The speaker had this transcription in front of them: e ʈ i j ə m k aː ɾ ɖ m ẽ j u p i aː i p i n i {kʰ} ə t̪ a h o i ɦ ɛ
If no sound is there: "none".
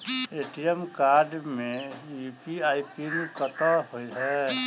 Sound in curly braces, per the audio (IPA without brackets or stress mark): k